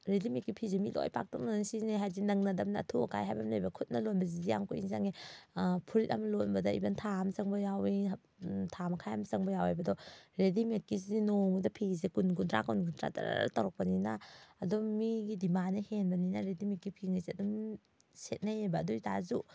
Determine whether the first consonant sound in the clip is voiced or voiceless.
voiced